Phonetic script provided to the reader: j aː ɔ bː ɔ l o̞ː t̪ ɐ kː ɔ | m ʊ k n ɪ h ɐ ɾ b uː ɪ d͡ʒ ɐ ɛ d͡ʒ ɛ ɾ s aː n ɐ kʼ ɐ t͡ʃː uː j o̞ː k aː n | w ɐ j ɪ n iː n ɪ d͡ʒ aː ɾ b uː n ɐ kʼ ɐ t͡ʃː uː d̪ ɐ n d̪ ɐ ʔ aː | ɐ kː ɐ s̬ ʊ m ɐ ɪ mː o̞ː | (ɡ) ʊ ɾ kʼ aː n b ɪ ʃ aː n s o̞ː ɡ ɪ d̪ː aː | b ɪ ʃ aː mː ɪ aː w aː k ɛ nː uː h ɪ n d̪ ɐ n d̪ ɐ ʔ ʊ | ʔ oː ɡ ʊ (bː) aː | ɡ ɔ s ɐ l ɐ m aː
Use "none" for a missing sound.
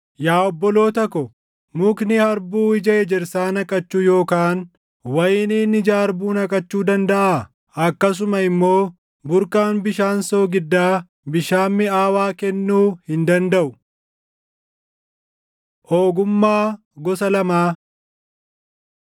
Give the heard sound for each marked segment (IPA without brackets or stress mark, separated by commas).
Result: b, mː